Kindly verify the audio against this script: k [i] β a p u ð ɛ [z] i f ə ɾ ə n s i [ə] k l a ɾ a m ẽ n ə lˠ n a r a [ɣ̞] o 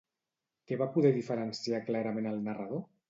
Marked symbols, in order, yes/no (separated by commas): no, no, no, no